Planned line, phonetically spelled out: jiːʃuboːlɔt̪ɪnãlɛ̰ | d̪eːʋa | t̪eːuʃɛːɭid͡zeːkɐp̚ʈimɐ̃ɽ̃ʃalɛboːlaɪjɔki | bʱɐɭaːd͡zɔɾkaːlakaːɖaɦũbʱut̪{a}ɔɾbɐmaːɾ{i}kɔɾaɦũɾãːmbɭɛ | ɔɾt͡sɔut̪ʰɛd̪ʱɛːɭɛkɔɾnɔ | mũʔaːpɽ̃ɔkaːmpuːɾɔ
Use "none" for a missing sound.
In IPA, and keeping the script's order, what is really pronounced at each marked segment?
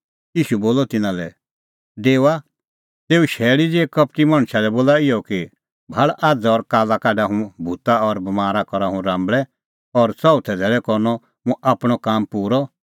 a, a

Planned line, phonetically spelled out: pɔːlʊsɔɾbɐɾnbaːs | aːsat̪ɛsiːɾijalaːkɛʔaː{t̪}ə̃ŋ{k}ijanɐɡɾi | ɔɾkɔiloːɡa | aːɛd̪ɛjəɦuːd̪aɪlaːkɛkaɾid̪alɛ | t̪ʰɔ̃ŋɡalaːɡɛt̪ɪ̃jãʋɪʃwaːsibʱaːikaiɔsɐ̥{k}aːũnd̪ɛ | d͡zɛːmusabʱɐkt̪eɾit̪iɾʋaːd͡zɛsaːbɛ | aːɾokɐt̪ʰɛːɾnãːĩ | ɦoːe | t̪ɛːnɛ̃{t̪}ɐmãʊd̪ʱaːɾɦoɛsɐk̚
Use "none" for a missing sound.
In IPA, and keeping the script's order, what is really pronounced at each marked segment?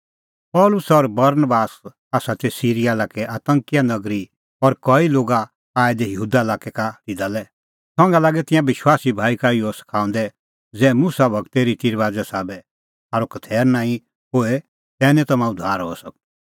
t̪, k, kʰ, t̪

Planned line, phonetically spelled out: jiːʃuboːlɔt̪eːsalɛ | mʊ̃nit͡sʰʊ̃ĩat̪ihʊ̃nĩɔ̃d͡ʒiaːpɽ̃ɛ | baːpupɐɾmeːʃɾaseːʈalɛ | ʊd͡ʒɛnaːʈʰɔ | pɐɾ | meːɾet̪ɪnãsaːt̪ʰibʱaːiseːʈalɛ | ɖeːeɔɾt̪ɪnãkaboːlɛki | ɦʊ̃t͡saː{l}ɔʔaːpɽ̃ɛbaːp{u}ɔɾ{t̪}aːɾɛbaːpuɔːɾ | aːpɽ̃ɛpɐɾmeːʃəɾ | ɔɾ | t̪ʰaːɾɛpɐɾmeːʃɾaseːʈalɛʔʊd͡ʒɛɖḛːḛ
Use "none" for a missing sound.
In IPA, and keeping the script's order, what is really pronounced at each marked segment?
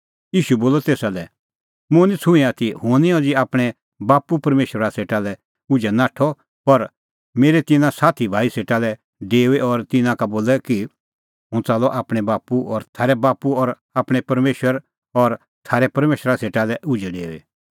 l, u, t̪ʰ

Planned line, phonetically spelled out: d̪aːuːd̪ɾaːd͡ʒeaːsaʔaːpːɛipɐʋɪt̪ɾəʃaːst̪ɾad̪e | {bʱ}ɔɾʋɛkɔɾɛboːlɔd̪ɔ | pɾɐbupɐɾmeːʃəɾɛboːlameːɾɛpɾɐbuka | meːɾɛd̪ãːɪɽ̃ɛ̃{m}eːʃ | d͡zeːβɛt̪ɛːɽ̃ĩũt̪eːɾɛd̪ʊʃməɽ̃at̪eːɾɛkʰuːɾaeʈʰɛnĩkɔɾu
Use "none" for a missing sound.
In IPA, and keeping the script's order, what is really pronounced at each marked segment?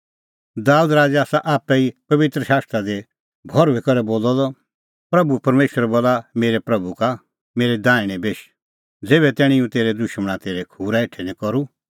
bʱ, b

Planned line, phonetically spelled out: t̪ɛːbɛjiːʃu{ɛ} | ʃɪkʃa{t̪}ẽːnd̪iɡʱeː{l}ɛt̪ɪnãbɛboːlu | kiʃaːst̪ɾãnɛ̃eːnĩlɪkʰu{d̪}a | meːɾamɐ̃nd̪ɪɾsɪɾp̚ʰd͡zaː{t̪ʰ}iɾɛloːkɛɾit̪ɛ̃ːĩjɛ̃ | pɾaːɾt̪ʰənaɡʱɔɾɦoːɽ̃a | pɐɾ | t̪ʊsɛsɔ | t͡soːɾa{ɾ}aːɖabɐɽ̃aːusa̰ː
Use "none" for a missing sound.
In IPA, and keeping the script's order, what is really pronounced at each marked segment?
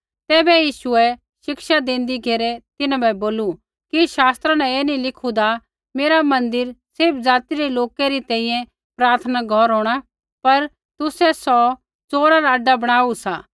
ɛ, d̪, ɾ, d̪, t̪, ɾ

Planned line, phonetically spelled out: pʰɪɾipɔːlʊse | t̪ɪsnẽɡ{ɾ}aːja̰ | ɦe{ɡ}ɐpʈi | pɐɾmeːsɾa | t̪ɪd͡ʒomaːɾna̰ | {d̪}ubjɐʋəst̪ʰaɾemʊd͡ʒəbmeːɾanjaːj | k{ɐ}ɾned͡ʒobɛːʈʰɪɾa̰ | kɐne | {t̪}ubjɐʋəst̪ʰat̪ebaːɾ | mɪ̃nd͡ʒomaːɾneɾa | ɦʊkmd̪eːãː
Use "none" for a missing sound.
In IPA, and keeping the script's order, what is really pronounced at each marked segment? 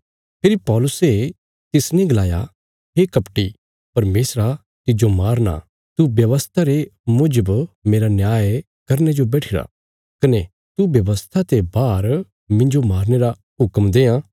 l, k, t̪, ɐ, t̪

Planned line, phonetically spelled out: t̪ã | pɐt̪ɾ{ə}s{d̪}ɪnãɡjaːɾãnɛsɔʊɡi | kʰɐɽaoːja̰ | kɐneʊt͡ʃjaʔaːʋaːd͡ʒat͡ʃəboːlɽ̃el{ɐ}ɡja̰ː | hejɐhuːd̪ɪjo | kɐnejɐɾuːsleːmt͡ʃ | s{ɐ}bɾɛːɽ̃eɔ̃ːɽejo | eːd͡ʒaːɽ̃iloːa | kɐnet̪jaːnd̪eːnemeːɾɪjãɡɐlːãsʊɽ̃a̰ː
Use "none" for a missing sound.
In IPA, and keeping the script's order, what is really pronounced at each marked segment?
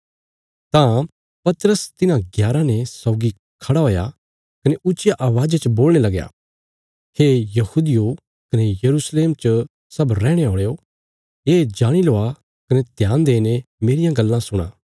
ə, t̪, ɐ, ɐ

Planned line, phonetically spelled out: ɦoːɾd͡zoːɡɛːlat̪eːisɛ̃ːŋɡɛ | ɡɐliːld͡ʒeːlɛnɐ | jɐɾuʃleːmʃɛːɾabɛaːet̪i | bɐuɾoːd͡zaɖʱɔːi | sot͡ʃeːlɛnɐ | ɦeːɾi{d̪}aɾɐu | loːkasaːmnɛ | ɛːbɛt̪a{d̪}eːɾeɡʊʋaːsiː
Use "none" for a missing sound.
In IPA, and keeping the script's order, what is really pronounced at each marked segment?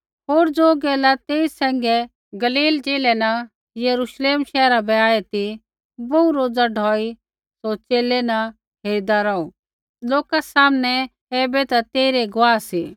d̪, t̪

